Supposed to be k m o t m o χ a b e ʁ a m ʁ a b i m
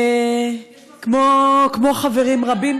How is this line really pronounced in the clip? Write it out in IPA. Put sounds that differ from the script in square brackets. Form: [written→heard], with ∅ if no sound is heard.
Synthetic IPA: k m o [t→k] m o χ a [b→v] e ʁ [a→i] m ʁ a b i m